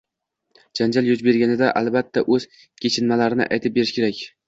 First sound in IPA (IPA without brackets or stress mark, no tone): d͡ʒ